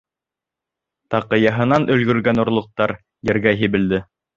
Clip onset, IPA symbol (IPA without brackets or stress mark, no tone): t̪